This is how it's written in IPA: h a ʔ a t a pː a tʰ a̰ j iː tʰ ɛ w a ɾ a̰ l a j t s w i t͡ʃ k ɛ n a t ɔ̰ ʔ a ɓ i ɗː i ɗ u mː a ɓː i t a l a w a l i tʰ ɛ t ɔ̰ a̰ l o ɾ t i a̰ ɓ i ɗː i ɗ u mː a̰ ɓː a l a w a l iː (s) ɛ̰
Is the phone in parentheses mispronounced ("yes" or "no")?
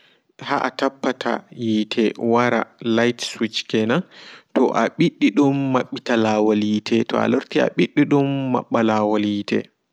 yes